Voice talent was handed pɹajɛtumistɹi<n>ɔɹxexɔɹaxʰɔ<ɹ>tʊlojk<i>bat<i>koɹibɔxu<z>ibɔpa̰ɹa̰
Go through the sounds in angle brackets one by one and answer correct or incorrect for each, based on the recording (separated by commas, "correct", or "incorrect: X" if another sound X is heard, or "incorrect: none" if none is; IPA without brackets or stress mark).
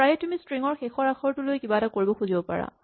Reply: incorrect: ŋ, correct, correct, incorrect: a, correct